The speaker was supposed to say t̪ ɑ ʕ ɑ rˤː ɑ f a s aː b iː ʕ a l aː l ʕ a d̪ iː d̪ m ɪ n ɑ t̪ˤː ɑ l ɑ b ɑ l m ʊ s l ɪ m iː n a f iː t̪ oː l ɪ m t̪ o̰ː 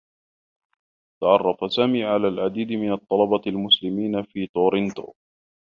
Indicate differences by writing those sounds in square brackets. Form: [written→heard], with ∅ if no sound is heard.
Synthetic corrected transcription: t̪ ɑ ʕ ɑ rˤː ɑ f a s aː [b→m] iː ʕ a l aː l ʕ a d̪ iː d̪ m ɪ n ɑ t̪ˤː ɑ l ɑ b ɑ l m ʊ s l ɪ m iː n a f iː t̪ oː [l→ɾ] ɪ [m→n] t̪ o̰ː

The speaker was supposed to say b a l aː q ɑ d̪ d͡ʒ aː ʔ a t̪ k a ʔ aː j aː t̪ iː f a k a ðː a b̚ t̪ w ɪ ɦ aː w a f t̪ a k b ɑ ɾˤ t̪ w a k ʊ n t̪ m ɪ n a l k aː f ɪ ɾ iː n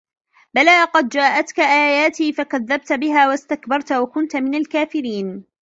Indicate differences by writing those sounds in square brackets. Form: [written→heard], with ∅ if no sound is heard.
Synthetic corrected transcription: b a l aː q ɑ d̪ d͡ʒ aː ʔ a t̪ k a ʔ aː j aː t̪ iː f a k a ðː a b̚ t̪ [w→b] ɪ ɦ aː w a [f→s] t̪ a k b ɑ ɾˤ t̪ w a k ʊ n t̪ m ɪ n a l k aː f ɪ ɾ iː n

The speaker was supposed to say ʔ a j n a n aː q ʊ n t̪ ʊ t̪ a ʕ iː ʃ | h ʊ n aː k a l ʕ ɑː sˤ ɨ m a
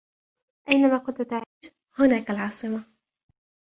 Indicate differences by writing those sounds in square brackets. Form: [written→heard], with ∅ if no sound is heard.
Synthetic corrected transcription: ʔ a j n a [n→m] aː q ʊ n t̪ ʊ t̪ a ʕ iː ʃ | h ʊ n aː k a l ʕ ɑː sˤ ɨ m a

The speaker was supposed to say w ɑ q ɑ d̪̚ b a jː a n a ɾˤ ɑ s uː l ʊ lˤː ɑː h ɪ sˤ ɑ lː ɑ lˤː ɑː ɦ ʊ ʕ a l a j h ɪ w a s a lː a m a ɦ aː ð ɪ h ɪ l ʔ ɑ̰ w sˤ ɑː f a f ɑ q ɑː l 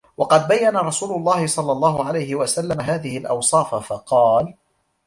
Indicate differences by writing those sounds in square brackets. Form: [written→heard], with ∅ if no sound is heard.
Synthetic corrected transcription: w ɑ q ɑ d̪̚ b a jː a n a ɾˤ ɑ s uː l ʊ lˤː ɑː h ɪ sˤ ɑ lː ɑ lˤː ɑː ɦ ʊ ʕ a l a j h ɪ w a s a lː a m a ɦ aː ð ɪ h ɪ l ʔ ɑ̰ w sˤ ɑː f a f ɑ q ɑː l

